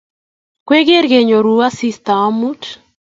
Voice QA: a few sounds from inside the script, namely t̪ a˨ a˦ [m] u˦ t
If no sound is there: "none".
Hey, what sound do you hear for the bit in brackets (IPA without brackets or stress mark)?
m